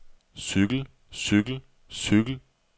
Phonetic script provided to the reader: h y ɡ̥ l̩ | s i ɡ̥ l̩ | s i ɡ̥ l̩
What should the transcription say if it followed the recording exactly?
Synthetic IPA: s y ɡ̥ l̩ | s y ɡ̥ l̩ | s y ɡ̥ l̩

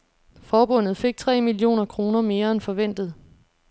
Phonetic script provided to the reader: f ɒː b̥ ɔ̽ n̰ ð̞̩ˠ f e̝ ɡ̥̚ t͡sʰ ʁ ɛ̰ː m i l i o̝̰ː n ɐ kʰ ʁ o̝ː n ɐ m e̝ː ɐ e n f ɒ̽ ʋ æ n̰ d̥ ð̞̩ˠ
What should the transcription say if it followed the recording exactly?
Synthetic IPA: f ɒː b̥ ɔ̽ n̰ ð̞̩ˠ f e̝ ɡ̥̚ t͡sʰ ʁ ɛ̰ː m i l i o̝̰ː n ɐ kʰ ʁ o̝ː n ɐ m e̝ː ɐ e n f ɒ̽ ʋ e n̰ d̥ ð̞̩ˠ

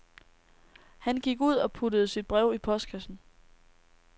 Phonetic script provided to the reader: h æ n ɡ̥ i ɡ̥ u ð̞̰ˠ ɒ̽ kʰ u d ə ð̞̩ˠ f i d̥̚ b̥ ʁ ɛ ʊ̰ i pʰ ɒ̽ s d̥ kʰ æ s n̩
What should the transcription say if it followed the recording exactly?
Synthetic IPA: h æ n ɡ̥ i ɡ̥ u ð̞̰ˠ ɒ̽ pʰ u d ə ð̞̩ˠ s i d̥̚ b̥ ʁ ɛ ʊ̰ i pʰ ɒ̽ s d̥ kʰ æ s n̩

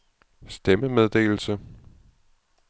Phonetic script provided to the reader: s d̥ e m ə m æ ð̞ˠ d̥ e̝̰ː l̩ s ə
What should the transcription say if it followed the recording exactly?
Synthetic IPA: s d̥ e m ə m e ð̞ˠ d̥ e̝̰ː l̩ s ə

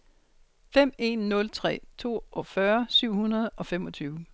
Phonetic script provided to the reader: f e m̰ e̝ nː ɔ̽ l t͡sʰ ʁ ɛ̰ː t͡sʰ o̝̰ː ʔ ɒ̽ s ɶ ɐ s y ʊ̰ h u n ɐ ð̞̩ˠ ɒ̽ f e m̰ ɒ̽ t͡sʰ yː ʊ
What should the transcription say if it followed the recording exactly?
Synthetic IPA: f e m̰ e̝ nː ɔ̽ l t͡sʰ ʁ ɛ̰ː t͡sʰ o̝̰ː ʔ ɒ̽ f ɶ ɐ s y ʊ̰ h u n ɐ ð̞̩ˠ ɒ̽ f e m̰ ɒ̽ t͡sʰ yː ʊ

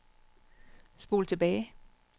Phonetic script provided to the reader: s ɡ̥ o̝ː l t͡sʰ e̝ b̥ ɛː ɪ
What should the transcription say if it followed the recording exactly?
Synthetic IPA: s b̥ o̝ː l t͡sʰ e̝ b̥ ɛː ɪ

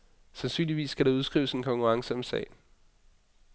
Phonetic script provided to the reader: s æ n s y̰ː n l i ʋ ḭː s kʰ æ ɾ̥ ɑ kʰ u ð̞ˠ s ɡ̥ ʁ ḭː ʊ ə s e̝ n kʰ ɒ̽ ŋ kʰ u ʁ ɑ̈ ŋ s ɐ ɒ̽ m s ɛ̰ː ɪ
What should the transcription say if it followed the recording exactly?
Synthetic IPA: s æ n s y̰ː n l i ʋ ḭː s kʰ æ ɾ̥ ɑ u ð̞ˠ s ɡ̥ ʁ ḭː ʊ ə s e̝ n kʰ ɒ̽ ŋ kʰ u ʁ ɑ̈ ŋ s ə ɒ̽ m s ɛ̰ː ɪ

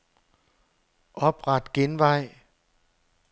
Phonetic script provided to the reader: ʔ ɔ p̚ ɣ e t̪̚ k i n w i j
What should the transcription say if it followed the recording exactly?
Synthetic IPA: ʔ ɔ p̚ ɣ a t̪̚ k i n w a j

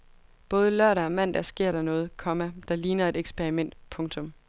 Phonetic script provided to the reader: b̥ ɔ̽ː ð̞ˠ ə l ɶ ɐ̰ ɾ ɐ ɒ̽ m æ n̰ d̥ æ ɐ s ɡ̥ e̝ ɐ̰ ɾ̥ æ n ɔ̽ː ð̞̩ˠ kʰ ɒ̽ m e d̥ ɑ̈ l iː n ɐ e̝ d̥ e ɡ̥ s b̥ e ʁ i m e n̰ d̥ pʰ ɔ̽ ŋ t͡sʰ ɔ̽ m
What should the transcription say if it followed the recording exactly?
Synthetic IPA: b̥ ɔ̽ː ð̞ˠ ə l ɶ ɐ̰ ɾ ɐ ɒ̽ m æ n̰ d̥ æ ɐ s ɡ̥ e̝ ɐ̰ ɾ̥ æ n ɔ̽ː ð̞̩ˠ kʰ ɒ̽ m æ d̥ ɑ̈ l iː n ɐ e̝ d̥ e ɡ̥ s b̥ e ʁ i m e n̰ d̥ pʰ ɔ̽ ŋ t͡sʰ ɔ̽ m

